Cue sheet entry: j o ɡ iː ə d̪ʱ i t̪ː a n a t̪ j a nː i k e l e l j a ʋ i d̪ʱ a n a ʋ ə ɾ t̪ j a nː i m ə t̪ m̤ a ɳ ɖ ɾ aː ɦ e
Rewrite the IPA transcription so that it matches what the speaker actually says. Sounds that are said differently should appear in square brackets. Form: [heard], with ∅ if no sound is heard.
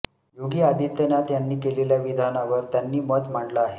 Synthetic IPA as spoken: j o ɡ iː [a] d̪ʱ i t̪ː [ə] n a t̪ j a nː [iː] k e l e l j a ʋ i d̪ʱ a n a ʋ ə ɾ t̪ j a nː [iː] m ə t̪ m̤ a ɳ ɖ [l] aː ɦ e